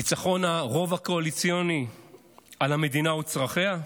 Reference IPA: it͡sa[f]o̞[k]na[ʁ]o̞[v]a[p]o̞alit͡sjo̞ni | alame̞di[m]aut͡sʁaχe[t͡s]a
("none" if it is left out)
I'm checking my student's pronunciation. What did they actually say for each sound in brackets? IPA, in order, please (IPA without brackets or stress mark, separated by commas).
χ, none, ʁ, v, k, n, none